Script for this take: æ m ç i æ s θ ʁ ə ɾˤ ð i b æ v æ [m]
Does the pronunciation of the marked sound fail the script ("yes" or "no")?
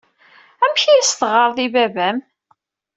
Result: no